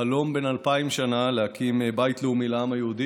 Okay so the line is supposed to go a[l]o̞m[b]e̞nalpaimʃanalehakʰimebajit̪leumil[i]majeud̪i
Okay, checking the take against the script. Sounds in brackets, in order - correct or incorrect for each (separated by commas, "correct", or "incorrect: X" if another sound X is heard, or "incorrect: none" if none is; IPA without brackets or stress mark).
correct, correct, incorrect: a